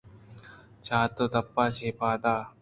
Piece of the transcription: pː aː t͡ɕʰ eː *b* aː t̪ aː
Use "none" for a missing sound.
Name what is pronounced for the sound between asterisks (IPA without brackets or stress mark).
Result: p